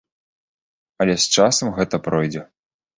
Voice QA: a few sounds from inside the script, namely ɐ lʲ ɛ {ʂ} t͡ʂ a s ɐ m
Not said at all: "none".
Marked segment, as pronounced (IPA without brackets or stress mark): s